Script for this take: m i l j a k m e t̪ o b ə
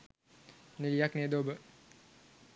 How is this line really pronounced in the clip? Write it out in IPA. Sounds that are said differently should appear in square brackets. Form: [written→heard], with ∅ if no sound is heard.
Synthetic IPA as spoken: [m→n] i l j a k [m→n] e [t̪→d̪] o b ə